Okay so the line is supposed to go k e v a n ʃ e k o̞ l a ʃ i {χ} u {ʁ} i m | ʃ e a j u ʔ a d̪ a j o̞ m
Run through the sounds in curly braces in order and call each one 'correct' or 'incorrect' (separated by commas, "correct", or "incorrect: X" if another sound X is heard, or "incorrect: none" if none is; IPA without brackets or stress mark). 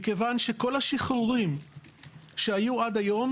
correct, correct